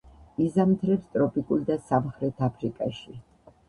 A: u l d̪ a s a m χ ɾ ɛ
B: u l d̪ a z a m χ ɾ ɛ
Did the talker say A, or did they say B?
A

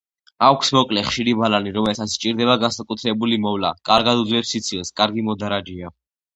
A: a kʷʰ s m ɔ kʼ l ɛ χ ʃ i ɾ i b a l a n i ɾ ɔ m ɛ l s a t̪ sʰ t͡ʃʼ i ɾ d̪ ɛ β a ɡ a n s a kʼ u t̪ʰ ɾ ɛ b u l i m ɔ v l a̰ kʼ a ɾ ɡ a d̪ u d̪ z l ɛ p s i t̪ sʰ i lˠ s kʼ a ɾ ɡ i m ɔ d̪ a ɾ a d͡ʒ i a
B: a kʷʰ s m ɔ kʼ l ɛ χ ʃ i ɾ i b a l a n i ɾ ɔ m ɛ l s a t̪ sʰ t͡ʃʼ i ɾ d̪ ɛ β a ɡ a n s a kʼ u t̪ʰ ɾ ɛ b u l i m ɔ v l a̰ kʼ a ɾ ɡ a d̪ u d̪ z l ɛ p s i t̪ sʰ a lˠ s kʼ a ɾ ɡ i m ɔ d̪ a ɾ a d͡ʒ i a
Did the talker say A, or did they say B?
A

